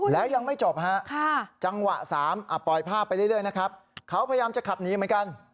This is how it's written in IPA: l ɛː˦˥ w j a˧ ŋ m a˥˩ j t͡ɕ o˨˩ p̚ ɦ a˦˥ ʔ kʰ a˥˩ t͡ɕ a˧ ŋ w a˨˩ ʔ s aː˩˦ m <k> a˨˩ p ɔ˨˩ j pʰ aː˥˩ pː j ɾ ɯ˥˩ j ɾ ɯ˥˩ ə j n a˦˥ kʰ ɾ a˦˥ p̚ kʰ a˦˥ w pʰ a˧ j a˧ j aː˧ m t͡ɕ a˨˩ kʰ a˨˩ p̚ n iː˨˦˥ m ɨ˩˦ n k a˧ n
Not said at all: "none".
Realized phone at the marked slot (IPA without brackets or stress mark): ʔ